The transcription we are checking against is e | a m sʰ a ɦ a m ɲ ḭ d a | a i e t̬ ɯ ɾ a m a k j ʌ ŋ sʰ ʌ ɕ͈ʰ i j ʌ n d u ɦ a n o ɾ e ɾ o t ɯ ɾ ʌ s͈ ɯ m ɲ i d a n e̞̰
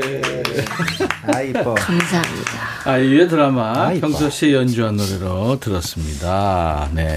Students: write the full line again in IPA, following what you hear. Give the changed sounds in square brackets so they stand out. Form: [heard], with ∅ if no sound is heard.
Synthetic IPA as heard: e | a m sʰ a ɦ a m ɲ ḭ d a | a i e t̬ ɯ ɾ a m a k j ʌ ŋ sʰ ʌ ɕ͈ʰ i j ʌ n [d͡ʑ] u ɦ a n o ɾ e ɾ o t ɯ ɾ ʌ s͈ ɯ m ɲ i d a n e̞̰